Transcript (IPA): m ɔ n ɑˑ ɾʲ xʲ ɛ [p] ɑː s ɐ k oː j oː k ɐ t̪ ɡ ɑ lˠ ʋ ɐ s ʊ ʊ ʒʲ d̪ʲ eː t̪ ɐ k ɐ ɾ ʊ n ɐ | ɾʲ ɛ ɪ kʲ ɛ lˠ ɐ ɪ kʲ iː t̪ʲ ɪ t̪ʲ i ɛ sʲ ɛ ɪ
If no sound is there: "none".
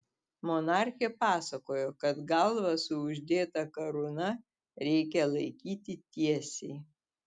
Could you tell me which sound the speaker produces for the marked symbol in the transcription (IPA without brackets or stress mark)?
p